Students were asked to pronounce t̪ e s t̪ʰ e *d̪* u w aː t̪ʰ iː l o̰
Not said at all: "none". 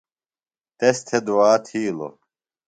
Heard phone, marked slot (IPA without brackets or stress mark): d̪